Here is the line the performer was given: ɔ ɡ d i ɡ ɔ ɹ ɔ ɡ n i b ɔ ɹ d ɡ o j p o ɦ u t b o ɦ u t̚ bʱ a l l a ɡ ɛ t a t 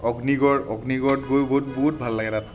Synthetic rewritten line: ɔ ɡ n i ɡ ɔ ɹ ɔ ɡ n i ɡ ɔ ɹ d ɡ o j b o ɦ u t b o ɦ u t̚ bʱ a l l a ɡ ɛ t a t